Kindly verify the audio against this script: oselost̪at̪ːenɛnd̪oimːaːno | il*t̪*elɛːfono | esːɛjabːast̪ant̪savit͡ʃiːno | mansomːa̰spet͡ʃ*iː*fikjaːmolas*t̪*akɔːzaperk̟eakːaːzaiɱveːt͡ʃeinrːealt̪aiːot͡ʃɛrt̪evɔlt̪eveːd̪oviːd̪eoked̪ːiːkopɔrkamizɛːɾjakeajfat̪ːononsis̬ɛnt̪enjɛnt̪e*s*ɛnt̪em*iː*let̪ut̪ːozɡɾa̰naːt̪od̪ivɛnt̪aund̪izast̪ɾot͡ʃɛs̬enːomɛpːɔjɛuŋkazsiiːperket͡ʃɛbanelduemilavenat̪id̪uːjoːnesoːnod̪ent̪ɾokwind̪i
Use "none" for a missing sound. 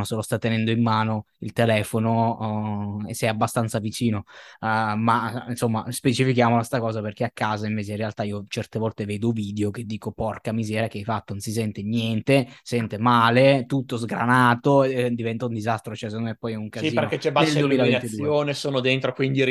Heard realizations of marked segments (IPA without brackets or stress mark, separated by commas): t̪, i, t̪, s, aː